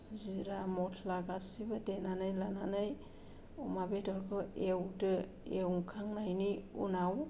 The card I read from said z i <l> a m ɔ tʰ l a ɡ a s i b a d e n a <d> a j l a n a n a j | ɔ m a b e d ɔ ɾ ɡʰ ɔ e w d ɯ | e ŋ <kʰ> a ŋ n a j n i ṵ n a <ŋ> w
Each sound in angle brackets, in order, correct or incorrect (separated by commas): incorrect, incorrect, correct, incorrect